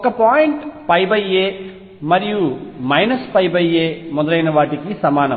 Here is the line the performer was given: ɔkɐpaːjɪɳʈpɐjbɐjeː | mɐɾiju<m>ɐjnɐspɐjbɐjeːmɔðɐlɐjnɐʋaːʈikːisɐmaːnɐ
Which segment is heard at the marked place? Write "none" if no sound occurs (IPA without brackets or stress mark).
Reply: m